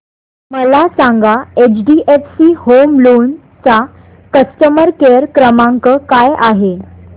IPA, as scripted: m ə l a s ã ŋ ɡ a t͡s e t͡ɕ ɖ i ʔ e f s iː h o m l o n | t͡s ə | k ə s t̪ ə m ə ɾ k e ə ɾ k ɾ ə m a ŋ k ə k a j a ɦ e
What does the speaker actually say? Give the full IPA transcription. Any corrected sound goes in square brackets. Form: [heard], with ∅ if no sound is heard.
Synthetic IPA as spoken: m ə l a s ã ŋ ɡ a [∅] e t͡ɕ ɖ i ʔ e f s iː h o m l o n | t͡s [a] | k ə s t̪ ə m ə ɾ k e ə ɾ k ɾ ə m a ŋ k ə k a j a ɦ e